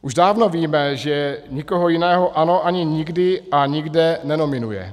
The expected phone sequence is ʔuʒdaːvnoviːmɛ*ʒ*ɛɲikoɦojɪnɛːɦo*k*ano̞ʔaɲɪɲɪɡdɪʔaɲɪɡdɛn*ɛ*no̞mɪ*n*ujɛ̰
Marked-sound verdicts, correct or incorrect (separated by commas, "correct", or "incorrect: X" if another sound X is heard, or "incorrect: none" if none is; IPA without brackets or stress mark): correct, incorrect: ʔ, correct, correct